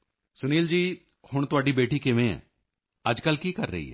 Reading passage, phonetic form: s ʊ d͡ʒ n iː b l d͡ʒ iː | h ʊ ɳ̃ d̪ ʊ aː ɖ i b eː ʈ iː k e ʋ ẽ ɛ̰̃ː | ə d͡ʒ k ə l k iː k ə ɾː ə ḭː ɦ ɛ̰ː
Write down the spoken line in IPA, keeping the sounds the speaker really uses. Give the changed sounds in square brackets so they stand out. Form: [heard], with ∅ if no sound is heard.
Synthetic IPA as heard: s ʊ [∅] n iː [∅] l d͡ʒ iː | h ʊ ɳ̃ [t̪] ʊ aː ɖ i b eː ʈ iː k e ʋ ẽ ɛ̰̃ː | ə d͡ʒ k ə l k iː k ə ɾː ə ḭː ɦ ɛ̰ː